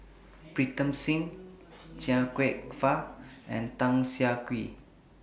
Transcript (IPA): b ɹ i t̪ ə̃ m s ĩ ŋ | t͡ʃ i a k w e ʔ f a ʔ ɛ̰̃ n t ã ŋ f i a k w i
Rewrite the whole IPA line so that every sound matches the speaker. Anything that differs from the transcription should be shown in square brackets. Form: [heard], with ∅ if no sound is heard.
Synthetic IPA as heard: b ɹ i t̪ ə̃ m s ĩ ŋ | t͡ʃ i a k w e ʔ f a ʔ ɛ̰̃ n t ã ŋ [s] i a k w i